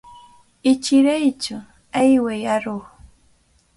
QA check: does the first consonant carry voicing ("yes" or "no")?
no